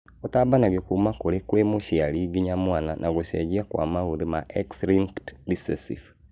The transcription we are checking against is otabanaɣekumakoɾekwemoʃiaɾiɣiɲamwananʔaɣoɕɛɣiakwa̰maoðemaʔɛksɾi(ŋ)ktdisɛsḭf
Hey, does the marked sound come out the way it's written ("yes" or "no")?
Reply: yes